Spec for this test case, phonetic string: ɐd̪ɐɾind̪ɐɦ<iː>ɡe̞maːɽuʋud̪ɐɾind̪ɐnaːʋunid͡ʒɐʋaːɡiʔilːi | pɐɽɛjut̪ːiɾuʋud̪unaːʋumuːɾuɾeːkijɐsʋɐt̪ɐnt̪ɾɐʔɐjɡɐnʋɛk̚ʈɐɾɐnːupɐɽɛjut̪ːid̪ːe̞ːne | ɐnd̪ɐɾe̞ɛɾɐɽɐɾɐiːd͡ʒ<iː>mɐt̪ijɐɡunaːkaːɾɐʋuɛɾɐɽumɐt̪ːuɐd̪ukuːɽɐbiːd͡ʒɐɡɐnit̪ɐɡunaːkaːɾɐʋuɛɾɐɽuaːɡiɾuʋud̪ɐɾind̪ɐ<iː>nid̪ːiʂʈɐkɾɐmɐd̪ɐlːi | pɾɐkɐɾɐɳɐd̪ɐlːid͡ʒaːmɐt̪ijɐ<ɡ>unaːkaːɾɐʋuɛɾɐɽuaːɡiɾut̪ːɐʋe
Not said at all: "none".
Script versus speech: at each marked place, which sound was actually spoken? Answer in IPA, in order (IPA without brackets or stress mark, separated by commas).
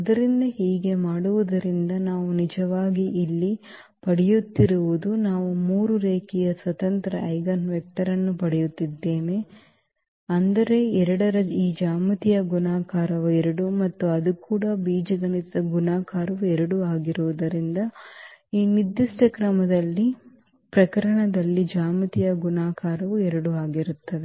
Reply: iː, aː, iː, ɡ